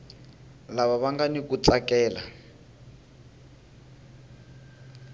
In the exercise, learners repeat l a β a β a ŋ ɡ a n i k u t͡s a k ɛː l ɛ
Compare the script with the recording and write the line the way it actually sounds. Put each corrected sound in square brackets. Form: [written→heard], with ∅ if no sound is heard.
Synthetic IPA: l a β a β a ŋ ɡ a n i k u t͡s a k ɛː l [ɛ→a]

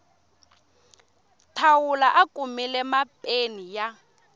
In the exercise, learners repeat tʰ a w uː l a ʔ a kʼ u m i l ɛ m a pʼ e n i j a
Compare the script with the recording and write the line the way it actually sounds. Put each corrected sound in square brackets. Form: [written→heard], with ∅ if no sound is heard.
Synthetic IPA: tʰ a w [uː→u] l a ʔ a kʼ u m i l ɛ m a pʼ e n i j a

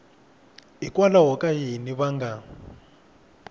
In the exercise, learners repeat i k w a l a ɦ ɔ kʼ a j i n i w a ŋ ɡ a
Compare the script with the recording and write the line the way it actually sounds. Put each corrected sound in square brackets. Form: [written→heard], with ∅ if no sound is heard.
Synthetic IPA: i k w a l a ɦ ɔ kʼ a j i n i [w→β] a ŋ ɡ a

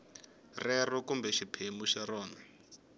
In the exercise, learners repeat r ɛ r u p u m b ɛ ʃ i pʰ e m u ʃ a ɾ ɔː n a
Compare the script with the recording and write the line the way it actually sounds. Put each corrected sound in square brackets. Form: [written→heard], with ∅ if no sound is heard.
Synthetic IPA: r ɛ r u [p→k] u m b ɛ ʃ i pʰ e m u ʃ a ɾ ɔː n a

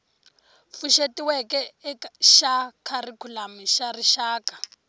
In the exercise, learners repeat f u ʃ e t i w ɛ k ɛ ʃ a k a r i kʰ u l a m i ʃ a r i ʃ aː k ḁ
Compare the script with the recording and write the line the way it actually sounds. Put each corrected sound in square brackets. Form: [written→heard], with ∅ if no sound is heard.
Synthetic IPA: f u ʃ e t i w ɛ k ɛ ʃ a [k→kʰ] a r i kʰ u l a m i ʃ a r i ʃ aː k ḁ

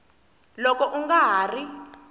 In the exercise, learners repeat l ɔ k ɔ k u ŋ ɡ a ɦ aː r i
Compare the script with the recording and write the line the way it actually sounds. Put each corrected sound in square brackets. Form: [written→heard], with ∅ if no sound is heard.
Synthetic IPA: l ɔ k ɔ [k→ʔ] u ŋ ɡ a ɦ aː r i

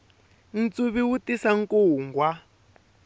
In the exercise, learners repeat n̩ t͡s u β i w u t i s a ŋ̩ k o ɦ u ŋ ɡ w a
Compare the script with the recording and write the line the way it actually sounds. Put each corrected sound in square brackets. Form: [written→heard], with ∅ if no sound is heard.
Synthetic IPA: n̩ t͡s u β i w u t i s a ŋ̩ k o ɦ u ŋ ɡ w a

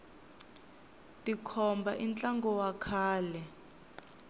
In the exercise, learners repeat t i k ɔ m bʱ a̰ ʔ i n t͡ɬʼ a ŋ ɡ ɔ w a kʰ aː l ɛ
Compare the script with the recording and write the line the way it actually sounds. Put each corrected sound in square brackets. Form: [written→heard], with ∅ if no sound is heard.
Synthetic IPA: t i [k→kʰ] ɔ m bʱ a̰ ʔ i n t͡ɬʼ a ŋ ɡ ɔ w a kʰ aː l ɛ

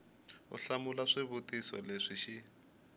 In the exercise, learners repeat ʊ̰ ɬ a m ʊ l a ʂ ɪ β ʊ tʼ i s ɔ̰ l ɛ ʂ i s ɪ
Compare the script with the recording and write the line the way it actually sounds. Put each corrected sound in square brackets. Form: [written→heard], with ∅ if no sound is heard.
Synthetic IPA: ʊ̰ ɬ a m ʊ l a ʂ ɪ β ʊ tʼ i s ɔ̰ l [ɛ→e] ʂ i [s→ʃ] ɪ

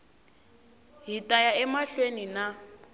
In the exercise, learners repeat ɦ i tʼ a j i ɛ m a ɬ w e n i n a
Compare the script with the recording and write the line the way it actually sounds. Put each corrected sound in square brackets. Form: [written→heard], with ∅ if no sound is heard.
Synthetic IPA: ɦ i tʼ a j [i→a] ɛ m a ɬ w e n i n a

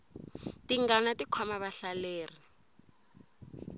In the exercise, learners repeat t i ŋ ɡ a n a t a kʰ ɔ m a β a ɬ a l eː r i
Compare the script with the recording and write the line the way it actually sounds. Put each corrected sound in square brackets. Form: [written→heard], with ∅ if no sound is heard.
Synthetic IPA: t i ŋ ɡ a n a t [a→i] kʰ ɔ m a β a ɬ a l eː r i

